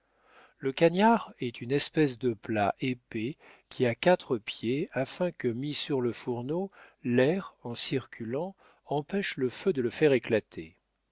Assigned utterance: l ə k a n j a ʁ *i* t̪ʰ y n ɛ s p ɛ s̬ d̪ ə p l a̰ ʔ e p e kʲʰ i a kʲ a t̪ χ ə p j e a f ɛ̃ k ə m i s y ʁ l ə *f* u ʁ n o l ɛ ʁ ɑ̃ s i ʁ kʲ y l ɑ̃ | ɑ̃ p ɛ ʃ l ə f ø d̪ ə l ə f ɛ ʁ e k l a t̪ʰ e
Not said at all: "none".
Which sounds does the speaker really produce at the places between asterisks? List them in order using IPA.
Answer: ɛ, f

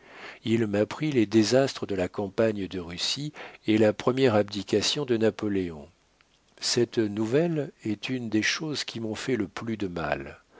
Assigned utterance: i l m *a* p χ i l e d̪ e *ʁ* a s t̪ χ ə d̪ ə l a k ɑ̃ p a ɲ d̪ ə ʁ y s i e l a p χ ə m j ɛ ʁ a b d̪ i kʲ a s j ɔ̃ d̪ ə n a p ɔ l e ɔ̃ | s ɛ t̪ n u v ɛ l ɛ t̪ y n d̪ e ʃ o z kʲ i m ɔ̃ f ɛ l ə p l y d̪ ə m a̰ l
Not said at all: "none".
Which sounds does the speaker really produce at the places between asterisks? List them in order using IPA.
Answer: a, z

